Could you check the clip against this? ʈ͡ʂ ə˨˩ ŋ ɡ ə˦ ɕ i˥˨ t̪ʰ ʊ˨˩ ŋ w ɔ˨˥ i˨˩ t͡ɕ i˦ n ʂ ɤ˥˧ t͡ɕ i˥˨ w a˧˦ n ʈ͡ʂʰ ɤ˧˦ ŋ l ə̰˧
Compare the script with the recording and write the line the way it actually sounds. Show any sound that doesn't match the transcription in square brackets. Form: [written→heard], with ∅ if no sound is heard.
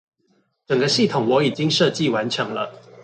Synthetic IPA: ʈ͡ʂ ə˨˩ ŋ ɡ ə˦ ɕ i˥˨ t̪ʰ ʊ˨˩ ŋ w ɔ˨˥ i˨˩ t͡ɕ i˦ [n→ŋ] ʂ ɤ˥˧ t͡ɕ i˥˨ w a˧˦ n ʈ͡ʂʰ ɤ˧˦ ŋ l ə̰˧